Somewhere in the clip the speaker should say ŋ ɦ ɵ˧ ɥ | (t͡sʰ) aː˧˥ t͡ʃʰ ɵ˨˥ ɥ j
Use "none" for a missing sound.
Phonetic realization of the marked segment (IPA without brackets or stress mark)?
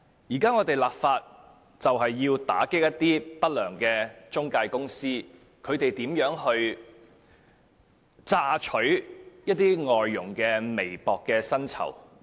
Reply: t͡s